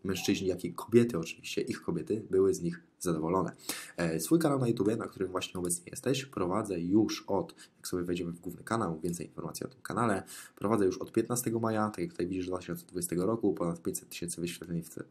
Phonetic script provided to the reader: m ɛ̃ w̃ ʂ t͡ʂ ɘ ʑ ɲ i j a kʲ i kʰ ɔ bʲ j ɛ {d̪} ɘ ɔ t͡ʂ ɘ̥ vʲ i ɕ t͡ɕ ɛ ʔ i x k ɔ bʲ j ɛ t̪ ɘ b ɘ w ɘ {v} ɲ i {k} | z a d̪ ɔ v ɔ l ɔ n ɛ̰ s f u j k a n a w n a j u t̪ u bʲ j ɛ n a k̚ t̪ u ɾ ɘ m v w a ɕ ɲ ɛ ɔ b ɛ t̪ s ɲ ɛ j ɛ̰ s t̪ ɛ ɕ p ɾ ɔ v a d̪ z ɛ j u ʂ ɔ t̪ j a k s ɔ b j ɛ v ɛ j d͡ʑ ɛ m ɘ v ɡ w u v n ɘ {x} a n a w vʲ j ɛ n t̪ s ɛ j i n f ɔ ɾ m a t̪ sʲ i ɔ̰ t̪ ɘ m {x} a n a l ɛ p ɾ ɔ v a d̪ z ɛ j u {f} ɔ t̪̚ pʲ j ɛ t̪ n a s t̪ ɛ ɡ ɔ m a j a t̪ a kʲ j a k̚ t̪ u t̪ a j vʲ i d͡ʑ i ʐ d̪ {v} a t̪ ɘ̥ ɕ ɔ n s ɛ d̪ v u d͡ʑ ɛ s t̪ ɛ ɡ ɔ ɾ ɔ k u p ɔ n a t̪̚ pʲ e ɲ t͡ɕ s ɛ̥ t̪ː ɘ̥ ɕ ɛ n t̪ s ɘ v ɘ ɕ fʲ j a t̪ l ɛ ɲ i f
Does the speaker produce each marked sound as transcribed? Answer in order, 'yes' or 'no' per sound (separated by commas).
no, no, no, no, no, no, yes